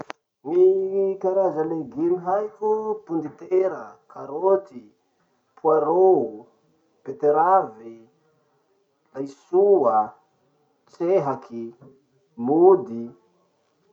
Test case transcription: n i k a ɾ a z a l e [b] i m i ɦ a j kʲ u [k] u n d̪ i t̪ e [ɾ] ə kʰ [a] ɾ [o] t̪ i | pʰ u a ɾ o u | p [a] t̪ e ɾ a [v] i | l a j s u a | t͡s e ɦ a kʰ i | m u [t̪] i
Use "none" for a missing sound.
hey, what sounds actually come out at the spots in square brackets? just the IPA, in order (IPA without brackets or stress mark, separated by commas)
ɡ, p, ɾ, a, o, e, v, d̪